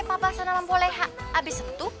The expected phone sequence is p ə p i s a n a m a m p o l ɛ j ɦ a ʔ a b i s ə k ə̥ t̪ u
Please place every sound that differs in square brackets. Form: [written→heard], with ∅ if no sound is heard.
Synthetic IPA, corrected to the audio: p [ə→a] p [i→a] s a n a m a m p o l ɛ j ɦ a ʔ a b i s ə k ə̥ t̪ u